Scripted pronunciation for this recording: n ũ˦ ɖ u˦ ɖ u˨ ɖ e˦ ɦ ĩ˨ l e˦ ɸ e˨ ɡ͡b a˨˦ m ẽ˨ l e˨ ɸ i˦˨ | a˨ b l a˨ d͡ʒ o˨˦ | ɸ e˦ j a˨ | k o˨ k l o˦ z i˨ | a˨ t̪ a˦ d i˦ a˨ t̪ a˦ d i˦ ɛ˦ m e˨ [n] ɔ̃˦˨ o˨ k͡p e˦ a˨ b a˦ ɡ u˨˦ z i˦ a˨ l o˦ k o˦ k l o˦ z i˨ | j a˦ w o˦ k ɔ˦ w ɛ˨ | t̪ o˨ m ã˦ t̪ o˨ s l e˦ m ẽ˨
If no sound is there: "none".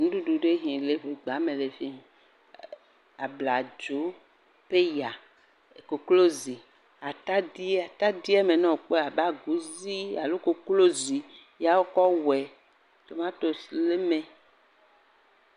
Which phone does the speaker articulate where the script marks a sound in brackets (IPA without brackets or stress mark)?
n